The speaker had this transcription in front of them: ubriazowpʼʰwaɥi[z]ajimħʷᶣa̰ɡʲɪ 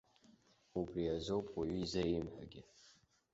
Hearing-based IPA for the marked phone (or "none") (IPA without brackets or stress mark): z